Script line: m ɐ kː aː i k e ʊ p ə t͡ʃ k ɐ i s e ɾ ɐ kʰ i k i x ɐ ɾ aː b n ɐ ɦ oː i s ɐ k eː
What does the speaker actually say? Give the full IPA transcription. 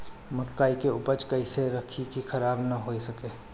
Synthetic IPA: m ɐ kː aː i k e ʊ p ə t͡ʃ k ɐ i s e ɾ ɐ kʰ i k i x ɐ ɾ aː b n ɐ ɦ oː i s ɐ k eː